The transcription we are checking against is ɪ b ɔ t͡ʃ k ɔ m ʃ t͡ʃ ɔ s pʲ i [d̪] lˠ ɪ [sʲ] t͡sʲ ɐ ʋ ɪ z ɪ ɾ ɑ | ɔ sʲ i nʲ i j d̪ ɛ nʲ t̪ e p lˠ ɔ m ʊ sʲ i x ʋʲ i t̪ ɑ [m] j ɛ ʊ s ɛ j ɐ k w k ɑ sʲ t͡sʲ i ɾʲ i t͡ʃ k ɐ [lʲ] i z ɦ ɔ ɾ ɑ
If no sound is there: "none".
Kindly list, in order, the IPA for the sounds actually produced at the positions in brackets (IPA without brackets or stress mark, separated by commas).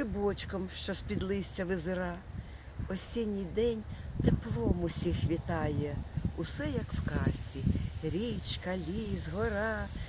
d̪, sʲ, none, lʲ